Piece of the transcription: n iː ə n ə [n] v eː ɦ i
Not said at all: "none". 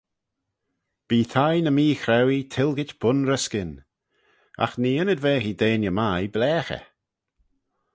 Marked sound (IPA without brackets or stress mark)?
d